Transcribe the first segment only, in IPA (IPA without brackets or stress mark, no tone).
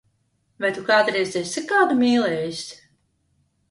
v